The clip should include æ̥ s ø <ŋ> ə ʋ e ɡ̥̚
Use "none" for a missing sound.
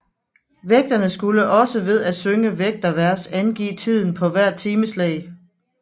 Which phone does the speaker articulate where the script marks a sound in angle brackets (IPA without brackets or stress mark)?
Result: ŋ